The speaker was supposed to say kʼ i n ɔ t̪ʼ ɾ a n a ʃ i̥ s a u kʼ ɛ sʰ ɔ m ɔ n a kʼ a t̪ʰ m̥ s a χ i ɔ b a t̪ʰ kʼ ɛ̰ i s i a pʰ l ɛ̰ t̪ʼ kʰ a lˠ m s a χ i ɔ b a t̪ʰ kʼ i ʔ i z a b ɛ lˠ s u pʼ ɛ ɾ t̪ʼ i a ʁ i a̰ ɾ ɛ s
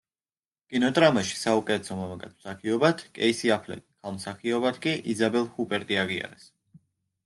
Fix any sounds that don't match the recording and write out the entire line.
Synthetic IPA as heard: kʼ i n ɔ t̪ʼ ɾ a m a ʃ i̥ s a u kʼ ɛ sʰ ɔ m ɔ m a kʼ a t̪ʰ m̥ s a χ i ɔ b a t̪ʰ kʼ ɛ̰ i s i a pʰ l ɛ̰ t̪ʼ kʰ a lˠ m s a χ i ɔ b a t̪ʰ kʼ i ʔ i z a b ɛ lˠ h u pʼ ɛ ɾ t̪ʼ i a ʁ i a̰ ɾ ɛ s